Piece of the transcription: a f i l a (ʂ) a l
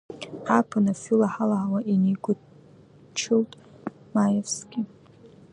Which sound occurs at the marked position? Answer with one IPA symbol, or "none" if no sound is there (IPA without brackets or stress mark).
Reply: ħ